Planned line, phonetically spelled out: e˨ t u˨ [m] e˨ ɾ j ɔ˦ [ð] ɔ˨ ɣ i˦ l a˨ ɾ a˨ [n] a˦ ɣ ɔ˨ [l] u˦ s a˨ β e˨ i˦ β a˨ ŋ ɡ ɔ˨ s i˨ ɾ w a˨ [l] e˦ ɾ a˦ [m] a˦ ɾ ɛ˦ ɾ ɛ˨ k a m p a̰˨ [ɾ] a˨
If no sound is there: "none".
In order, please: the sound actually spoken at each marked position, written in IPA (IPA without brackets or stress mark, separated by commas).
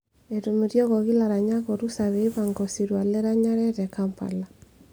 m, ɣ, ɲ, ɾ, l, ɲ, l